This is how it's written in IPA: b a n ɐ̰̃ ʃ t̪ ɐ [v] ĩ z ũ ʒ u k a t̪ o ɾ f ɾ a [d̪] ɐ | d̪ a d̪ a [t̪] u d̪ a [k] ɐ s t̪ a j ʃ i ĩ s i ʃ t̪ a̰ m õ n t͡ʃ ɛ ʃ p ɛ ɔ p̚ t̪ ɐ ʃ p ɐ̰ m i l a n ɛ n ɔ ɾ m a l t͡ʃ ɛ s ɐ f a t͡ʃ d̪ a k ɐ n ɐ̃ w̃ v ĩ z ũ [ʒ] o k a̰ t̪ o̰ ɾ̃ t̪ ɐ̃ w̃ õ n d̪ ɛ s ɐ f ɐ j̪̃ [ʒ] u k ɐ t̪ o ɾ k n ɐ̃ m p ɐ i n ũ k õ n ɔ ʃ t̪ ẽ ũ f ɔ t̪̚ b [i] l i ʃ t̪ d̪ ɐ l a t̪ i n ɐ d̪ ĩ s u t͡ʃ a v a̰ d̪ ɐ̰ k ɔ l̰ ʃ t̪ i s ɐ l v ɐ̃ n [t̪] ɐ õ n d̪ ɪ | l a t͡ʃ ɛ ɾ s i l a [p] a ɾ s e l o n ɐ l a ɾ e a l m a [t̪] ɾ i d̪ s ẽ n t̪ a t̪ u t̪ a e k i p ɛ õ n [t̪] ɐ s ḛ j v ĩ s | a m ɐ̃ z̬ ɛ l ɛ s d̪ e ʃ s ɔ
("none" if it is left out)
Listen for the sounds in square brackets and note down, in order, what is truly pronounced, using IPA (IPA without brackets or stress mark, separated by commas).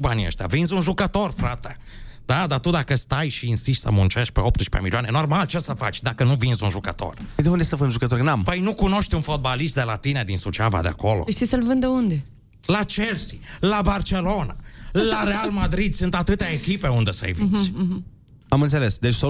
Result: v, t̪, t̪, k, ʒ, ʒ, a, d̪, b, d̪, d̪